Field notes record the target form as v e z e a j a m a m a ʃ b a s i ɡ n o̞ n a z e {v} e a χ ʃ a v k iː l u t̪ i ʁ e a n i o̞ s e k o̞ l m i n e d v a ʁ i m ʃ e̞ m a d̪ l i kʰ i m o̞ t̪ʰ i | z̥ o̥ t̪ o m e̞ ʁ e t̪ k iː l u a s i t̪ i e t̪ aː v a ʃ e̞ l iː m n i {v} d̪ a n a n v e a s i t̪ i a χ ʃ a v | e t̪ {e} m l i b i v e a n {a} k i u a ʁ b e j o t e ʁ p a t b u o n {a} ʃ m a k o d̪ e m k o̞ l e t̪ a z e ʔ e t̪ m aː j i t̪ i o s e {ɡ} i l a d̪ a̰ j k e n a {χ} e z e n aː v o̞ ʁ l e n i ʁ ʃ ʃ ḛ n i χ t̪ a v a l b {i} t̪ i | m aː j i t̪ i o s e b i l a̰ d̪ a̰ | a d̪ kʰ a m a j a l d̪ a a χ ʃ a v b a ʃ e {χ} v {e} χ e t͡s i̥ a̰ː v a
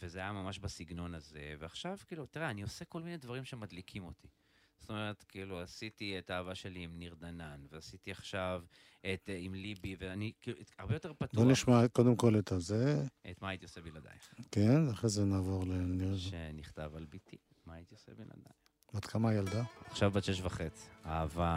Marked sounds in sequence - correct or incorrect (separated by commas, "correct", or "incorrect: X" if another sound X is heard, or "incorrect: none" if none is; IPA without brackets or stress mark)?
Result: correct, incorrect: ʁ, incorrect: i, incorrect: i, incorrect: i, incorrect: b, correct, correct, incorrect: ʃ, incorrect: a